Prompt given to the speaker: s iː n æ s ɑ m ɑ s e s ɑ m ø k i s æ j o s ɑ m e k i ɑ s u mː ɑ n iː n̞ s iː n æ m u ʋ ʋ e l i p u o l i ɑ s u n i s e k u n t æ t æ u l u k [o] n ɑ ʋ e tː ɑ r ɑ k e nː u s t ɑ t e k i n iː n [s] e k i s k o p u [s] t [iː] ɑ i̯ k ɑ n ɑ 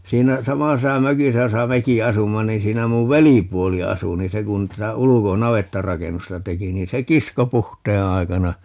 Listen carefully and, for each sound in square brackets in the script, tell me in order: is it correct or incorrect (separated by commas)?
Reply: correct, correct, incorrect, incorrect